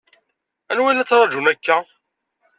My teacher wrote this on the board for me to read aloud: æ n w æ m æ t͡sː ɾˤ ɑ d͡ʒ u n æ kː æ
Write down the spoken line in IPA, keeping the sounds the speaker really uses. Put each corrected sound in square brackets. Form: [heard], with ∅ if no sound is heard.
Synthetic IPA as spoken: æ n w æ [n] æ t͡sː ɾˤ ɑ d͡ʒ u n æ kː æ